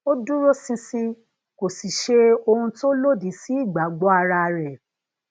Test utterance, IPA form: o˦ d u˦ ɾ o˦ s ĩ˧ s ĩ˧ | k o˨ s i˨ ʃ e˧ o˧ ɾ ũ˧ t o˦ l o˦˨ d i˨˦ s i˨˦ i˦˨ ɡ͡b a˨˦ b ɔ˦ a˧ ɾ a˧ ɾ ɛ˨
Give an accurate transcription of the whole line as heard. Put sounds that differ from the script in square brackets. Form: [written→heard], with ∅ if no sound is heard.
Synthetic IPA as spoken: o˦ d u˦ ɾ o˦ s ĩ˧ s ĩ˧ | k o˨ s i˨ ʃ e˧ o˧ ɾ ũ˧ t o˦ l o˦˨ d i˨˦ s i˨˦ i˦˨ ɡ͡b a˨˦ [b→ɡ͡b] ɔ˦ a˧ ɾ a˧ ɾ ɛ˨

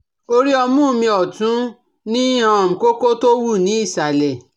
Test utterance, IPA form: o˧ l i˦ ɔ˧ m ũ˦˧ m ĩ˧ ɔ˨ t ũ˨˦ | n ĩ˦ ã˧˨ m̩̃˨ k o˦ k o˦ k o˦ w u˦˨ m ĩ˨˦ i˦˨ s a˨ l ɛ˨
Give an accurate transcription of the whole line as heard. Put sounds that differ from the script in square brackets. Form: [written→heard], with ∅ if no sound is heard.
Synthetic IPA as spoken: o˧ [l→ɾ] i˦ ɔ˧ m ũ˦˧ m ĩ˧ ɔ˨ t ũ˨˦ | n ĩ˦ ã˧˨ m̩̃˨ k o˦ k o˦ [k→t] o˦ w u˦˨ [m→n] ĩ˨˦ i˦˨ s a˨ l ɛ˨

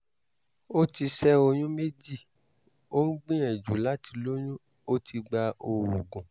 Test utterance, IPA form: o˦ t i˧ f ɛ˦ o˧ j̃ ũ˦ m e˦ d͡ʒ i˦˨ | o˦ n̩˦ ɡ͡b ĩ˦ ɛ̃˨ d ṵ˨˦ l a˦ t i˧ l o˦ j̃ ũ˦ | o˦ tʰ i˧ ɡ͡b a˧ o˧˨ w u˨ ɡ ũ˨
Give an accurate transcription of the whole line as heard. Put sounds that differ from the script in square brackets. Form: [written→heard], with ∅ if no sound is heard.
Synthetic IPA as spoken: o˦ t i˧ [f→s] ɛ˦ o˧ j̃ ũ˦ m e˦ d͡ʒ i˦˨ | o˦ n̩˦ ɡ͡b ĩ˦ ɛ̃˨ [d→d͡ʒ] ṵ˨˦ l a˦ t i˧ l o˦ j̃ ũ˦ | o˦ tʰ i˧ ɡ͡b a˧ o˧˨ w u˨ ɡ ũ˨

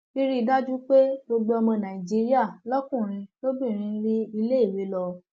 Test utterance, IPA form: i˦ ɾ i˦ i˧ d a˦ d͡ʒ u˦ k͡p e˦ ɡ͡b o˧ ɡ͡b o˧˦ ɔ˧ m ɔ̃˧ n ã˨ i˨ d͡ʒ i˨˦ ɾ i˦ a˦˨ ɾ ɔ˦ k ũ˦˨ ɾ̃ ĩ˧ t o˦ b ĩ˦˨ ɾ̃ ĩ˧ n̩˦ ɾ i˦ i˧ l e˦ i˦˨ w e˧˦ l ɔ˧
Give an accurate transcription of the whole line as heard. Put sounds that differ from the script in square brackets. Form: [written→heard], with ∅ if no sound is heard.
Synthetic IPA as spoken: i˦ ɾ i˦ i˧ d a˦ d͡ʒ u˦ k͡p e˦ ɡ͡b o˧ ɡ͡b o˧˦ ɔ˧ m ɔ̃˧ n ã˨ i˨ d͡ʒ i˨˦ ɾ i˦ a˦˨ [ɾ→l] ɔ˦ k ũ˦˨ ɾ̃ ĩ˧ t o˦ b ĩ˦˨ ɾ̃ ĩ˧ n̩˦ ɾ i˦ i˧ l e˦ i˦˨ w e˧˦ l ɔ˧

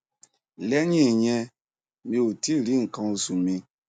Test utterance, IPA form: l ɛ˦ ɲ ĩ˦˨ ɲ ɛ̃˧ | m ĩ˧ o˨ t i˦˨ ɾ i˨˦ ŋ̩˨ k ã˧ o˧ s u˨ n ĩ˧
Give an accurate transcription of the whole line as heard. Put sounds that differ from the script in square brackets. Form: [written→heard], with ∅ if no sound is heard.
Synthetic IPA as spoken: l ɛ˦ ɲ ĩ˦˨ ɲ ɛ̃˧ | m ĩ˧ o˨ t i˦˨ ɾ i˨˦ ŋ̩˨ k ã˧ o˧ s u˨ [n→m] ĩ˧

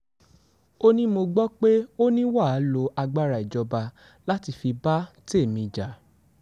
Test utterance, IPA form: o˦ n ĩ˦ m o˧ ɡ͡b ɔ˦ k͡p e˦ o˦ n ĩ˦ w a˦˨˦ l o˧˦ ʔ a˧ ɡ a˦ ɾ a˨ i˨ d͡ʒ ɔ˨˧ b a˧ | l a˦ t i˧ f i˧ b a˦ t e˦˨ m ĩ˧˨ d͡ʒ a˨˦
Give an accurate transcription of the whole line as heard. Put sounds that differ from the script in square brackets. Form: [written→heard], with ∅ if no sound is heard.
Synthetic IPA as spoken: o˦ n ĩ˦ m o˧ ɡ͡b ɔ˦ k͡p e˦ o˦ n ĩ˦ w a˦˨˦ l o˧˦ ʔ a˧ [ɡ→ɡ͡b] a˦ ɾ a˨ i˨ d͡ʒ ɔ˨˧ b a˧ | l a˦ t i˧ f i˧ b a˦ t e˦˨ m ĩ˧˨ d͡ʒ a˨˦

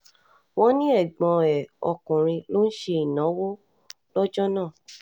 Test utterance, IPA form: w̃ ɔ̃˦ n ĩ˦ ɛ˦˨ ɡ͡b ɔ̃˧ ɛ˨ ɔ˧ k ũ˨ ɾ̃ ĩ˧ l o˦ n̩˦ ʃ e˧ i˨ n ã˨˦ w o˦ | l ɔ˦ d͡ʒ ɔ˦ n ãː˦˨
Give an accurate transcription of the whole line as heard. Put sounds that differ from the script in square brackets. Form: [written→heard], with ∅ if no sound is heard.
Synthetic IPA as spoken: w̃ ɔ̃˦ n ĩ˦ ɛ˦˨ ɡ͡b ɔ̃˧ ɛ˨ ɔ˧ k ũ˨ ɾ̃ ĩ˧ l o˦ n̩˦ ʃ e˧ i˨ n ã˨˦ w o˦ | l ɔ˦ d͡ʒ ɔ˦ n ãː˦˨

